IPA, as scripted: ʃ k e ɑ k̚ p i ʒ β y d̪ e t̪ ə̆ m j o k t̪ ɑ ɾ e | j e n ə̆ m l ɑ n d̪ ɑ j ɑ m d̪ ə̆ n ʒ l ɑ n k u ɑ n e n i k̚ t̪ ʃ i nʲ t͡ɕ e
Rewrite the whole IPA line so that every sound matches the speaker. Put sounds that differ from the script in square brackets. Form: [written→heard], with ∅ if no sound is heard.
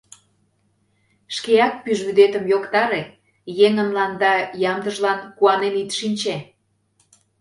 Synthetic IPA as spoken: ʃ k e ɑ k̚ p [i→y] ʒ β y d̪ e t̪ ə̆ m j o k t̪ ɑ ɾ e | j e [n→ŋ] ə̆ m l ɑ n d̪ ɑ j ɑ m d̪ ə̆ [n→∅] ʒ l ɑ n k u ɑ n e n i [k̚→∅] t̪ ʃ i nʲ t͡ɕ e